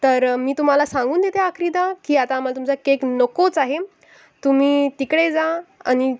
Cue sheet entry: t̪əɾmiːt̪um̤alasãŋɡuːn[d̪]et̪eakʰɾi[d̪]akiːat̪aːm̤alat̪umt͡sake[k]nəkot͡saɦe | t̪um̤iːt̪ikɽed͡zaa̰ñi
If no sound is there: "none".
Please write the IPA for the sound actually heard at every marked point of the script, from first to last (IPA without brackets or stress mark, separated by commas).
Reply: d̪, d̪, k